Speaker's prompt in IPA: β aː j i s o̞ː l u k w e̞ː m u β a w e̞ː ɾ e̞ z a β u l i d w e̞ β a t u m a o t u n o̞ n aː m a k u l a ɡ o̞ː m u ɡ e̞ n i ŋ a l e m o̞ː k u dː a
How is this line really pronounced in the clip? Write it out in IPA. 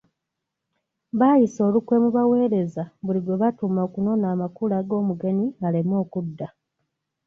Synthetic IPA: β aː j i s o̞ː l u k w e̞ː m u β a w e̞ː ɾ e̞ z a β u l i ɡ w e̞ β a t u m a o k u n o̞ n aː m a k u l a ɡ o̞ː m u ɡ e̞ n i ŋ a l e m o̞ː k u dː a